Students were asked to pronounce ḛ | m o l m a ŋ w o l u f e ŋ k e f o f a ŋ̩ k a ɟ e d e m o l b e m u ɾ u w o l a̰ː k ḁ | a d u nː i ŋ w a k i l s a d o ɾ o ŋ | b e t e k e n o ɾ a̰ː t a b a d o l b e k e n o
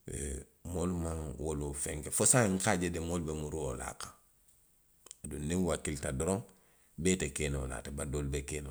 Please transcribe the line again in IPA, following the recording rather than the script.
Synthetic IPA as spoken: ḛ | m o l m a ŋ w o l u f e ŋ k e f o s a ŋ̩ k a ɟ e d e m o l b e m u ɾ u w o l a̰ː k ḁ | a d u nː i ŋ w a k i l t a d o ɾ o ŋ | b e t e k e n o l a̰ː t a b a d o l b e k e n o

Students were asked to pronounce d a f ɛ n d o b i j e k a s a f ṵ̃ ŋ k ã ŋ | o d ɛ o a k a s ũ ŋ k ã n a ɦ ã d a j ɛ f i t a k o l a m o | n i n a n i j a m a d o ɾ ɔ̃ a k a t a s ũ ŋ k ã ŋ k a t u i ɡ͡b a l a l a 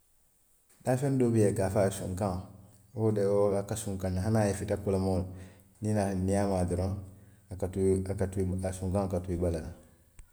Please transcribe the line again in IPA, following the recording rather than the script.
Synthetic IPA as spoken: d a f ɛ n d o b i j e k a f a s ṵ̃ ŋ k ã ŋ | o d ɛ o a k a s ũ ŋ k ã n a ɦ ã n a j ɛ f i t a k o l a m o | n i n a n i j a m a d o ɾ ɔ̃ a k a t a s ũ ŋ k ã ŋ k a t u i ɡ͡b a l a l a

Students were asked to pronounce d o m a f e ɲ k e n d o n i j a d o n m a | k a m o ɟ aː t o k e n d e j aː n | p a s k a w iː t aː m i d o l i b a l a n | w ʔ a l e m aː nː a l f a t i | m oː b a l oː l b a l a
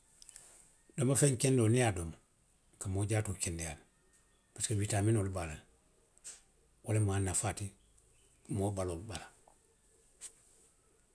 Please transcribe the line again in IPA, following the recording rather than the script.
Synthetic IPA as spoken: d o m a f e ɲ k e n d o n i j a d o m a | k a m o ɟ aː t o k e n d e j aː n | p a s k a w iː t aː m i n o l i b a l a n | w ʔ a l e m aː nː a f a t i | m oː b a l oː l b a l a

